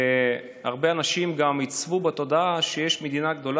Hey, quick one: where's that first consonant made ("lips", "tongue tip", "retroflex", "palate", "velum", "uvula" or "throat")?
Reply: uvula